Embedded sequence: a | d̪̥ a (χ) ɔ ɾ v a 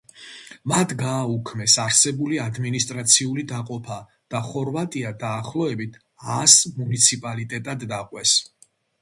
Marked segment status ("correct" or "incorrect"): correct